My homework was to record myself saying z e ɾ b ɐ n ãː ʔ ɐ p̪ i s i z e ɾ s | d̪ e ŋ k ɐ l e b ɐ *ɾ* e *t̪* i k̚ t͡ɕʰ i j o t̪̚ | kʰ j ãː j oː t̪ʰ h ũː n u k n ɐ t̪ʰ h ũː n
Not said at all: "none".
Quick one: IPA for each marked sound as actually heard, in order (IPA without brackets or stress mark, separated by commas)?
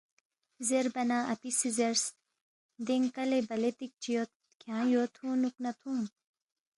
l, t̪